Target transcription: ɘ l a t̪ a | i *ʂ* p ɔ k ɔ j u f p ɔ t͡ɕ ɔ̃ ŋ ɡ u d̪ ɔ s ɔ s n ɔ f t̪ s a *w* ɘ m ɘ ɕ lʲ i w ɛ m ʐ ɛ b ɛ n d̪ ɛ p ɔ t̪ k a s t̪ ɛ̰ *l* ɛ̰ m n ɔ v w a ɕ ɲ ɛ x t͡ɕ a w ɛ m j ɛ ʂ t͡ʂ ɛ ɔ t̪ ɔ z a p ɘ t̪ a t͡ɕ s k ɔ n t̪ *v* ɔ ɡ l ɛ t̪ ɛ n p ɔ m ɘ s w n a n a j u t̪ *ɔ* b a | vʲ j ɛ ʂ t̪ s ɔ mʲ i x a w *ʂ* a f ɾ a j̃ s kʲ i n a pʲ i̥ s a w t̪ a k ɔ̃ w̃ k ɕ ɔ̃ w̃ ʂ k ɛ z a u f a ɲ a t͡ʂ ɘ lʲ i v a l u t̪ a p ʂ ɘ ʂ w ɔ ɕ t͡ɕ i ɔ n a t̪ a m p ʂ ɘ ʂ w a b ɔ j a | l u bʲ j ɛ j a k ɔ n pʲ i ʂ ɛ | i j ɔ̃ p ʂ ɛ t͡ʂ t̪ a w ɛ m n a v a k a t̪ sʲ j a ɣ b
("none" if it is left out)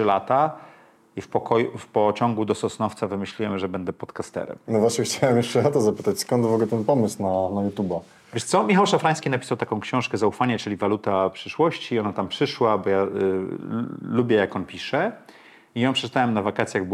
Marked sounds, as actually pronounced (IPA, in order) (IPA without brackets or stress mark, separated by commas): f, v, ɾ, v, u, ʂ